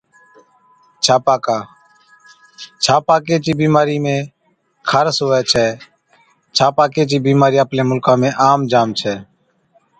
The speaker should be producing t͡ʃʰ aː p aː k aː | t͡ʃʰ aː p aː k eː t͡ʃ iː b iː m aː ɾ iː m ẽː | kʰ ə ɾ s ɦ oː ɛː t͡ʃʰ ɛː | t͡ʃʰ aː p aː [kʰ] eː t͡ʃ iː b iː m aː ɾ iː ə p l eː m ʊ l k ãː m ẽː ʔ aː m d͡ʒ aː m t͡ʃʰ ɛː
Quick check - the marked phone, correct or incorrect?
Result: incorrect